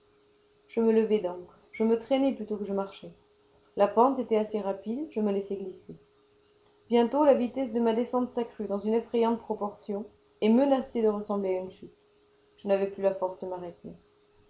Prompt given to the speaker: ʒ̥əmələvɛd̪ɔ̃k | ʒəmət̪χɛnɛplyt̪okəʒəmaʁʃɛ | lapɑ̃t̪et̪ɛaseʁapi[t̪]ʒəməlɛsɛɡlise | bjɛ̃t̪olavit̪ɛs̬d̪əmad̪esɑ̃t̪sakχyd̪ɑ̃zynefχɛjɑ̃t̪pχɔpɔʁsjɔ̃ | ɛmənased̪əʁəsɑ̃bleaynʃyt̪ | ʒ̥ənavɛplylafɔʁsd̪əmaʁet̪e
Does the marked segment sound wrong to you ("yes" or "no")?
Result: yes